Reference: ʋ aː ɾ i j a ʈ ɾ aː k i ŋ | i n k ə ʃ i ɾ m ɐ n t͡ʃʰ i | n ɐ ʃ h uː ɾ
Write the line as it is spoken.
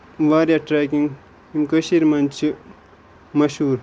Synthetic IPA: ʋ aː ɾ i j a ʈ ɾ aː k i ŋ | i m k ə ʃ i ɾ m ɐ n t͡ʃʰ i | m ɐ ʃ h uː ɾ